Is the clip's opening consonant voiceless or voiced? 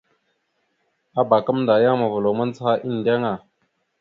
voiced